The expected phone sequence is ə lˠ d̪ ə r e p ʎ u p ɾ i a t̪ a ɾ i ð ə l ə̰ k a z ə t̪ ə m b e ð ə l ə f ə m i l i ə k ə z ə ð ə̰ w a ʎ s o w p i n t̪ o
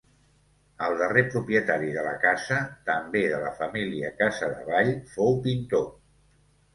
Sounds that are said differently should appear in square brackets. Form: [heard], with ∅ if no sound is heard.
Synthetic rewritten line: ə lˠ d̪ ə r e p [ɾ] u p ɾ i [ə] t̪ a ɾ i ð ə l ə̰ k a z ə t̪ ə m b e ð ə l ə f ə m i l i ə k [a] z ə ð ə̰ [β] a ʎ [f] o w p i n t̪ o